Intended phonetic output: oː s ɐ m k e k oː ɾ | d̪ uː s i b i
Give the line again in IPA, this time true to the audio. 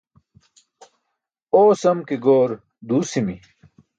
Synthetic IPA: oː s ɐ m k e ɡ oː ɾ | d̪ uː s i m i